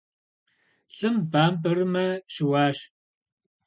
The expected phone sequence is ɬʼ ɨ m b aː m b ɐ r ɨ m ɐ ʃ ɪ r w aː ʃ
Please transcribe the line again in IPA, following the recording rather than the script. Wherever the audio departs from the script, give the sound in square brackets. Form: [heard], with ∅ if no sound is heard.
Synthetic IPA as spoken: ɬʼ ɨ m b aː m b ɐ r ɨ m ɐ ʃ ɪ [∅] w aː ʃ